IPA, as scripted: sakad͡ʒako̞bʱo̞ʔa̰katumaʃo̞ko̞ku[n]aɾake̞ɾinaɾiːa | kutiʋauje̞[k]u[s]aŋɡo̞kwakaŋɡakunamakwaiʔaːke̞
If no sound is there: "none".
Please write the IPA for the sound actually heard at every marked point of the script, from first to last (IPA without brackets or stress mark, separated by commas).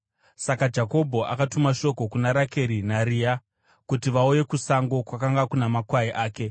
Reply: n, k, s